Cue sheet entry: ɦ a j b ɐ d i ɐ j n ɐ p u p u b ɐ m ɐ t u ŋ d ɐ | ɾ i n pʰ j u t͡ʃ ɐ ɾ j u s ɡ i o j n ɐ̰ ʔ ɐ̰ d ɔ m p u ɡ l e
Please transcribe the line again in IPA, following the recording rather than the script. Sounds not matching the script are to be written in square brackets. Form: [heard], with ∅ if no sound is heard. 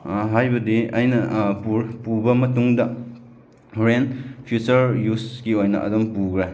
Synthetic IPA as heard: ɦ a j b ɐ d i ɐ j n ɐ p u p u b ɐ m ɐ t u ŋ d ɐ | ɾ [e] n pʰ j u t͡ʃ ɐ ɾ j u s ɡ i o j n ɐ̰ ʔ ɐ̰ d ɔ m p u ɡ [ɾ] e